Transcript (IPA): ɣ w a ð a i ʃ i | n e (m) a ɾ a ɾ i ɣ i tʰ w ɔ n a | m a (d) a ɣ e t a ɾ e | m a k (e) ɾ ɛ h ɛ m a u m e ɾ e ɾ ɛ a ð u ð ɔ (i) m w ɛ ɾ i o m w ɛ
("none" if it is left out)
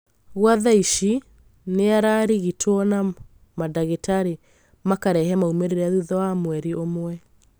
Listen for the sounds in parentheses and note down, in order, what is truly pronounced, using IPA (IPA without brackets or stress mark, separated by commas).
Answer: none, d, a, a